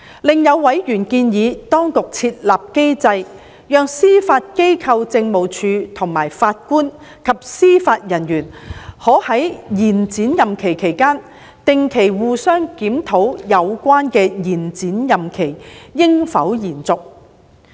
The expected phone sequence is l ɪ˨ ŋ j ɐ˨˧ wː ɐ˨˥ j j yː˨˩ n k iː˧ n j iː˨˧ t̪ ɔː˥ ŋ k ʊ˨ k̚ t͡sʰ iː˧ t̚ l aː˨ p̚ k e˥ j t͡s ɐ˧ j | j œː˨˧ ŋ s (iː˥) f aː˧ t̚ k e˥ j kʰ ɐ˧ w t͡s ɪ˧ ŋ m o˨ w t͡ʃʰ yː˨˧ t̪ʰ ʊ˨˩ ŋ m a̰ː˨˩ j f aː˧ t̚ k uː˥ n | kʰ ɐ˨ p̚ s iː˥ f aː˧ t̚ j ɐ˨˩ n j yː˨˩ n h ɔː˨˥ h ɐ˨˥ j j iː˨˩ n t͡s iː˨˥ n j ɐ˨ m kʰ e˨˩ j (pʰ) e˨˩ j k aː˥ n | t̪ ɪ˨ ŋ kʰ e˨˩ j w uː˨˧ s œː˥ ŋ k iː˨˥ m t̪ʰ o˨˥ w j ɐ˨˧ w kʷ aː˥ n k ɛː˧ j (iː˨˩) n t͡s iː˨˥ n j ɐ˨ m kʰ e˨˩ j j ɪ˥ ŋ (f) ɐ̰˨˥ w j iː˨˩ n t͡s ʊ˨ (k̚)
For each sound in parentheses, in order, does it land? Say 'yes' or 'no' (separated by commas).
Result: yes, no, yes, yes, yes